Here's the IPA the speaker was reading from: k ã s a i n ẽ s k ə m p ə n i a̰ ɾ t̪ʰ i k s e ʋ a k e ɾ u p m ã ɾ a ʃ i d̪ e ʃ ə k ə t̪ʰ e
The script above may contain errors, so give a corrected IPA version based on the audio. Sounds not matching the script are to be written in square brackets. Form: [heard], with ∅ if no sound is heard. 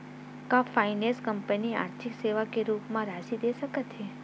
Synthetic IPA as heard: k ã [f] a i n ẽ s k ə m p ə n i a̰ ɾ t̪ʰ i k s e ʋ a k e ɾ u p m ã ɾ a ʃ i d̪ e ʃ ə k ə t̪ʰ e